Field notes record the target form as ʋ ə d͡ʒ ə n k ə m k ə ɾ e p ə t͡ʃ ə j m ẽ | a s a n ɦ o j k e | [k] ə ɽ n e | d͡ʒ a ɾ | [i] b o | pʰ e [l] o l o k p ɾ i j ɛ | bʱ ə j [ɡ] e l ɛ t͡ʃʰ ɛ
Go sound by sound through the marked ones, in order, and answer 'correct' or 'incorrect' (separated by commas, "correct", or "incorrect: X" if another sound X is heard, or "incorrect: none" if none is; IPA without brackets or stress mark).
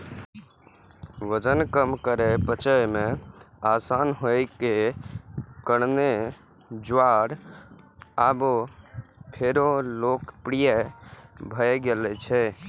correct, incorrect: a, incorrect: ɾ, correct